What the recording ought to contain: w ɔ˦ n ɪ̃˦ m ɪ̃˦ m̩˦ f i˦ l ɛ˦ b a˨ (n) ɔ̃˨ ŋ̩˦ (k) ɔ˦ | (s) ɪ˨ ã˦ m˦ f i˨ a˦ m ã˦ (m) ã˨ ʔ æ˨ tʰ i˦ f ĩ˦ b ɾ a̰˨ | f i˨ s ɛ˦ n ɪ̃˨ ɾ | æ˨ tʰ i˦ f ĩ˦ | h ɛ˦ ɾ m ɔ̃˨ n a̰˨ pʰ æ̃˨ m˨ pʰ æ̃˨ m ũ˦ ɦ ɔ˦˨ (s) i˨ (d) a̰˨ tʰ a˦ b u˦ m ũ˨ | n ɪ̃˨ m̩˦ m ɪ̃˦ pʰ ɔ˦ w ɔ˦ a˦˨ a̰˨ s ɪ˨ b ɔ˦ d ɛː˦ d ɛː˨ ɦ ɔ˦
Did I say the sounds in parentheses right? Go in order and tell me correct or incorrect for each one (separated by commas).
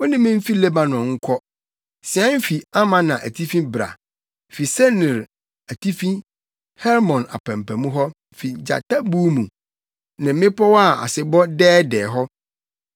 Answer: correct, incorrect, correct, incorrect, incorrect, incorrect